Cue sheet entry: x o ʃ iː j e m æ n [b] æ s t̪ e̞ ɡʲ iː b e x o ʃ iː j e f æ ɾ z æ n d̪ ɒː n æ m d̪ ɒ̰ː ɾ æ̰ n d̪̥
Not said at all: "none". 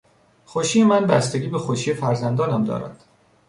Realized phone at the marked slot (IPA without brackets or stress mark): b